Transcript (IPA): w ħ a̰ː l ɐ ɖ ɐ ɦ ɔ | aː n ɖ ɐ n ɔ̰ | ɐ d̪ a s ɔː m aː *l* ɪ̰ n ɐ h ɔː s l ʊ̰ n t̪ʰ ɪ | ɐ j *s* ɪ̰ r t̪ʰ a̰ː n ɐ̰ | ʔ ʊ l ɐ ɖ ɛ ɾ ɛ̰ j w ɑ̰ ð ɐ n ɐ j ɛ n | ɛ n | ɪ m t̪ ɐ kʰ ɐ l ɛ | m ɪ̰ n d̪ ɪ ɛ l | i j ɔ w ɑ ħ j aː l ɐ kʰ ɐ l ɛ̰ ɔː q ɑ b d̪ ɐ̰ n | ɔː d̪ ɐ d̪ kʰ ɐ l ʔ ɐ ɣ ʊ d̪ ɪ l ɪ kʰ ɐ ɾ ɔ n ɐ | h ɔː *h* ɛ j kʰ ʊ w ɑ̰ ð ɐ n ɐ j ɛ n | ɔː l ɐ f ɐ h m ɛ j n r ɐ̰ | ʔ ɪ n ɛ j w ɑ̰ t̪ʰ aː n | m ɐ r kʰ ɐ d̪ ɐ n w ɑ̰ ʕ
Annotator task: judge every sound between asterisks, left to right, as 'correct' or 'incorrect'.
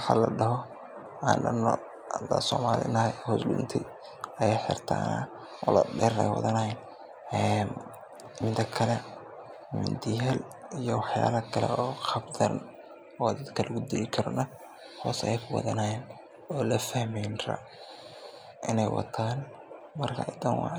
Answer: correct, incorrect: ħ, incorrect: s

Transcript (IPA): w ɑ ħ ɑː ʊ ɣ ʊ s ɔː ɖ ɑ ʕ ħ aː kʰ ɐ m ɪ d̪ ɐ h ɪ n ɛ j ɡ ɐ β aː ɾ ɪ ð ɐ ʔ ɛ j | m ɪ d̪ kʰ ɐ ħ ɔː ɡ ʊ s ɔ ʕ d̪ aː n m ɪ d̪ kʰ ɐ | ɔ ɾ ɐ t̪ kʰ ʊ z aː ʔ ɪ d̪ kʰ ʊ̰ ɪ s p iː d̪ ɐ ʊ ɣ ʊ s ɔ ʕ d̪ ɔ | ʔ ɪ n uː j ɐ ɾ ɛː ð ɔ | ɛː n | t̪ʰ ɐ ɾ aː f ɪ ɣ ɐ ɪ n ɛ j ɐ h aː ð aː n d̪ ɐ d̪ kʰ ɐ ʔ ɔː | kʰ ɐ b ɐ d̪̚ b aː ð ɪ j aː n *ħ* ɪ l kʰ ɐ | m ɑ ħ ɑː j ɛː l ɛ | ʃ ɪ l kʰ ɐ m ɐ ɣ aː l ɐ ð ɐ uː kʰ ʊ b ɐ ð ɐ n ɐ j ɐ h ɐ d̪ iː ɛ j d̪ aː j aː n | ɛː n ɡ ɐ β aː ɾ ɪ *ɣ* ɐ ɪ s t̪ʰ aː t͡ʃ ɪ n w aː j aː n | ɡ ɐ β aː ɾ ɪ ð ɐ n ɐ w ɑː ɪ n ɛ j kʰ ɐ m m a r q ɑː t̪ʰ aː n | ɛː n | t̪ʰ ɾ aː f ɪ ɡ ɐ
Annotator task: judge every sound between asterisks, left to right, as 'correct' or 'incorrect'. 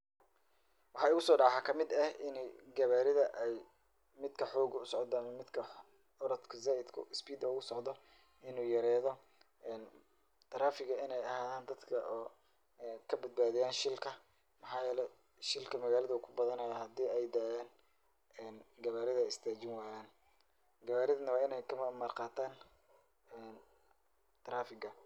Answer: incorrect: ʃ, incorrect: ð

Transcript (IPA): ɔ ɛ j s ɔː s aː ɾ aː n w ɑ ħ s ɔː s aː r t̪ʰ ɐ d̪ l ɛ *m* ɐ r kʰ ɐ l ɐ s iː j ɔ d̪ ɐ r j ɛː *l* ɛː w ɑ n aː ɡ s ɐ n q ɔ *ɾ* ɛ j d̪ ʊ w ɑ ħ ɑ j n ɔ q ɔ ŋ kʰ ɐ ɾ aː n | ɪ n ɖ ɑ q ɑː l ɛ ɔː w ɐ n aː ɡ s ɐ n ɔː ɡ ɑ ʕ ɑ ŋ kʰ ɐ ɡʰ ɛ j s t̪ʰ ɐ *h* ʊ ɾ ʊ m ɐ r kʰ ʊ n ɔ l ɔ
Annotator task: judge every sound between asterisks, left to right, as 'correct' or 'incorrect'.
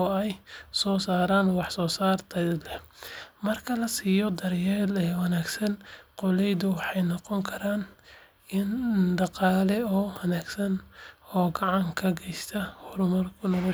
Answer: correct, correct, incorrect: l, correct

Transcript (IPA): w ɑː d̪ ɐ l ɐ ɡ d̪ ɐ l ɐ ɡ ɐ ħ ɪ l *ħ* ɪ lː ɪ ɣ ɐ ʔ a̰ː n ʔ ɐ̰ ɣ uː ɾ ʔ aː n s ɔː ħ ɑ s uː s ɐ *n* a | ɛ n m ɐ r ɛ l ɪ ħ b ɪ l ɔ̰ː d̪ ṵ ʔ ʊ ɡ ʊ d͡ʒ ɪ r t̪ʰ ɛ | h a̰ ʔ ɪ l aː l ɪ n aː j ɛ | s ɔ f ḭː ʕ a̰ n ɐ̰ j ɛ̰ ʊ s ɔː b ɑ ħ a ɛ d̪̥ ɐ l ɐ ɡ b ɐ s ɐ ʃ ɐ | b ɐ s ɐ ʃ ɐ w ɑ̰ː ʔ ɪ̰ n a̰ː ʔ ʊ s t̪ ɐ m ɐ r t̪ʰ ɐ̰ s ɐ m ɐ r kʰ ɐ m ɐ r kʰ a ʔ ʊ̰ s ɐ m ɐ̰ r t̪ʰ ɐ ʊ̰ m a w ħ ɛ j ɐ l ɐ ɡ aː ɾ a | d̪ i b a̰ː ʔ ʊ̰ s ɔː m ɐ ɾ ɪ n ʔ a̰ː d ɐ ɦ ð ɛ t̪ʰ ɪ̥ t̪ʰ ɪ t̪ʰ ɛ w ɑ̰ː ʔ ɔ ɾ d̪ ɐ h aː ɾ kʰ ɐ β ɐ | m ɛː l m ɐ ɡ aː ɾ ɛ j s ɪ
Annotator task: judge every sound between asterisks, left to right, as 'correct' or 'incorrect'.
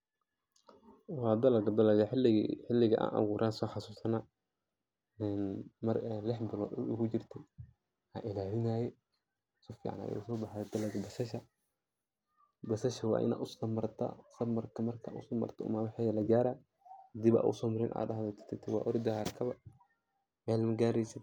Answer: correct, correct

